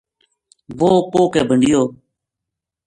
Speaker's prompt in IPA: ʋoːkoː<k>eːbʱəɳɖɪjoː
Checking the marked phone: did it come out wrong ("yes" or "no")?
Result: no